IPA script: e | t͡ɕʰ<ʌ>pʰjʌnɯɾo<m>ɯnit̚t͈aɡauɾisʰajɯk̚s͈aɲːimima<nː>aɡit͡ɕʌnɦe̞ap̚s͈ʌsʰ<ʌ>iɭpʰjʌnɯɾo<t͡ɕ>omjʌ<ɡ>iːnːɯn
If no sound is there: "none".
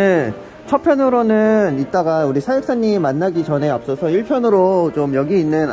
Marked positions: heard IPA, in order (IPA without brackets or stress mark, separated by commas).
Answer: ʌ, n, nː, ʌ, t͡ɕ, ɡ